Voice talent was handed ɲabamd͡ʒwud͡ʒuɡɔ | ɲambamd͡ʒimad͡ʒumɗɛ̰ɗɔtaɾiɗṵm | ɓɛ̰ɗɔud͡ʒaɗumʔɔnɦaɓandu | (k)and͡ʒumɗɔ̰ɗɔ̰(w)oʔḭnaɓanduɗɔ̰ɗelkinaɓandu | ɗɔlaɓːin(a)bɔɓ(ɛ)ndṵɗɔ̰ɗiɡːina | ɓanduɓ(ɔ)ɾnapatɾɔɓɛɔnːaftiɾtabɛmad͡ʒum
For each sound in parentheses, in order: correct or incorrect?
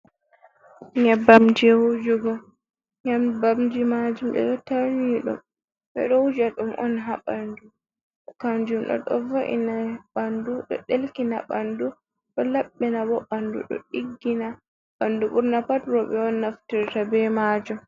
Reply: correct, incorrect, correct, incorrect, incorrect

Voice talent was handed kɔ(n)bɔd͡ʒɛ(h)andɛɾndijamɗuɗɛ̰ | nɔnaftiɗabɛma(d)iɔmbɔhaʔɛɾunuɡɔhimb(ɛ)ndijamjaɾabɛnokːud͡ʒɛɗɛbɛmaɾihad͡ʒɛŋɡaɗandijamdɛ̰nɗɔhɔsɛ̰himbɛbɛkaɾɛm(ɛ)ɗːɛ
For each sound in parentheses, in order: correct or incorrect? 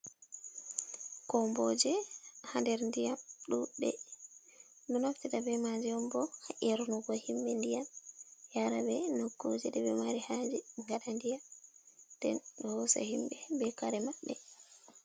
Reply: incorrect, correct, incorrect, correct, incorrect

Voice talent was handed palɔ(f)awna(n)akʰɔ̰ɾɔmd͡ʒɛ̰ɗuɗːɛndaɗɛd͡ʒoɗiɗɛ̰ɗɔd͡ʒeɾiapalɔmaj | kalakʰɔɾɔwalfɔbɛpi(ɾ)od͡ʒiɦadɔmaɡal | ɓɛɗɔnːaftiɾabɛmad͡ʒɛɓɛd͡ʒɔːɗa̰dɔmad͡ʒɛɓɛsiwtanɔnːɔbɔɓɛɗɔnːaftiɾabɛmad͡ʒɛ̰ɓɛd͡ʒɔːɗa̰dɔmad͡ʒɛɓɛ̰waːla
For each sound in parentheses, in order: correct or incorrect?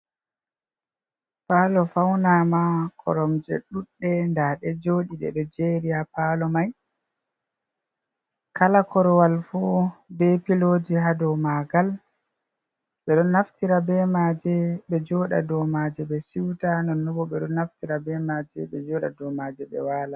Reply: correct, incorrect, incorrect

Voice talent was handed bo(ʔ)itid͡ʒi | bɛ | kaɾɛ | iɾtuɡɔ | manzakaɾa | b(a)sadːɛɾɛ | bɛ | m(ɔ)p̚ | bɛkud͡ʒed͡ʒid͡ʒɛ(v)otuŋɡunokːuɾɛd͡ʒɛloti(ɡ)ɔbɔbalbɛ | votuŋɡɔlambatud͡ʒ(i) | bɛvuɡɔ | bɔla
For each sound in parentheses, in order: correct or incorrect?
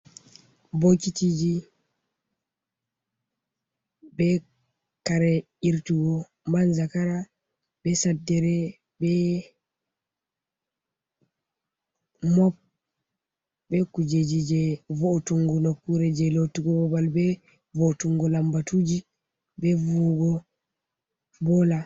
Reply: incorrect, incorrect, correct, correct, correct, correct

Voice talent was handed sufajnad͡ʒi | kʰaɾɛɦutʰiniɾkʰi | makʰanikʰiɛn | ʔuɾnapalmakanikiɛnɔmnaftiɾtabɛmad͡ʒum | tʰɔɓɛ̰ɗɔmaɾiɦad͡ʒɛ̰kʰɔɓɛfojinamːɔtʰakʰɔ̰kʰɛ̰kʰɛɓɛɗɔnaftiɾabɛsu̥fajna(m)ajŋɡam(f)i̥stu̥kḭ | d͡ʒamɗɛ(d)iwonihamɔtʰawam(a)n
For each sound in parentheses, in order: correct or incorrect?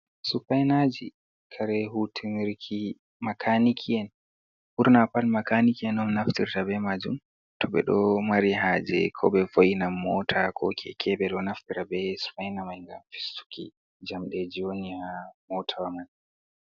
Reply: correct, correct, incorrect, correct

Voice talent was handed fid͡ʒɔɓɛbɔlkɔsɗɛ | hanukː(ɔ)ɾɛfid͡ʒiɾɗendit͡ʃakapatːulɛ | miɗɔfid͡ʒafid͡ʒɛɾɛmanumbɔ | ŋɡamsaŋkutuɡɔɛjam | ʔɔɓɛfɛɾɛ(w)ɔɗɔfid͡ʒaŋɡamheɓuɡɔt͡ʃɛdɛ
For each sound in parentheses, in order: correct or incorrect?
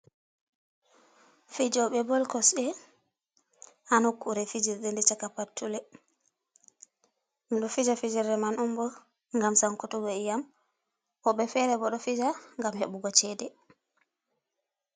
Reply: incorrect, incorrect

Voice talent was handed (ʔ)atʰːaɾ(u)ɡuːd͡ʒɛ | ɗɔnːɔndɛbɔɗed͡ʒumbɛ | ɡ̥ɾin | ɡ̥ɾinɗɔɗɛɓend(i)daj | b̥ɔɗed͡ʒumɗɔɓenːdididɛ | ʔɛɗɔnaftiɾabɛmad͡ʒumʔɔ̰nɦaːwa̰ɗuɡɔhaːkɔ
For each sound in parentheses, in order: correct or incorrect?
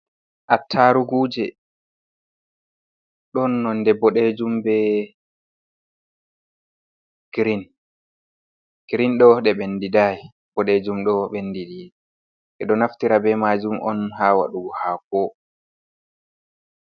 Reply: correct, correct, correct

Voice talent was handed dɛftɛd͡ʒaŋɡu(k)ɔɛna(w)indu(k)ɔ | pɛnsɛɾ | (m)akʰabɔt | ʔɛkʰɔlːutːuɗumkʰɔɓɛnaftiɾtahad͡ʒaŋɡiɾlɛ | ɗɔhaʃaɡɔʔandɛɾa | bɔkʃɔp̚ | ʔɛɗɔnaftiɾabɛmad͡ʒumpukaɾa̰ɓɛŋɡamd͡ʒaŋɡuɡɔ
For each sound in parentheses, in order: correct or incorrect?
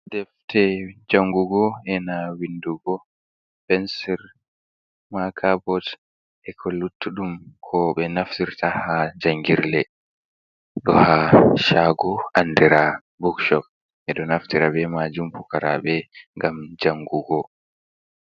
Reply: incorrect, correct, incorrect, correct

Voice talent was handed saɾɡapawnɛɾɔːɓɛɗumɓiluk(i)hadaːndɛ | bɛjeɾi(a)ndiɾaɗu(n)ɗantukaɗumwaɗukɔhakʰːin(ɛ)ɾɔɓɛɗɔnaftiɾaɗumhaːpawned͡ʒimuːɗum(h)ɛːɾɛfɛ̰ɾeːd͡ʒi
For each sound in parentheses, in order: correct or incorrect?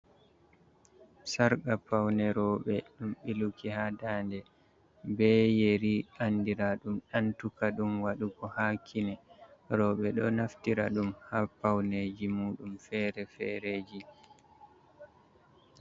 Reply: correct, correct, incorrect, correct, incorrect

